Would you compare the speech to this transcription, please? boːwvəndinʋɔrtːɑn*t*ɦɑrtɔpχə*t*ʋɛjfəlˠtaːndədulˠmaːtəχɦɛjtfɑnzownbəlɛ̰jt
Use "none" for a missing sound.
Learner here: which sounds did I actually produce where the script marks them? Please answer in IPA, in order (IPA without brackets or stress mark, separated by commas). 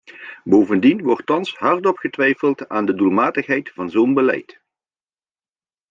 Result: s, t